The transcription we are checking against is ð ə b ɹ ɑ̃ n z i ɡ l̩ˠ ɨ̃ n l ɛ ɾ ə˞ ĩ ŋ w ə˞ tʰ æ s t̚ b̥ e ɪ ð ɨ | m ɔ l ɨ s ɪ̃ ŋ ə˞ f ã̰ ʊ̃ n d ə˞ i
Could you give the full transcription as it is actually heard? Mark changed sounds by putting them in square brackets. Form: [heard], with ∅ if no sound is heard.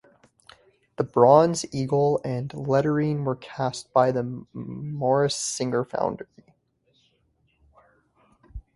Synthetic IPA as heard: ð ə b ɹ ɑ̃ n z i ɡ l̩ˠ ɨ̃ n l ɛ ɾ ə˞ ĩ [n] w ə˞ [kʰ] æ s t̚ b̥ [a] ɪ ð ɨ | m ɔ [ɹ] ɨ s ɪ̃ ŋ ə˞ f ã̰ ʊ̃ n d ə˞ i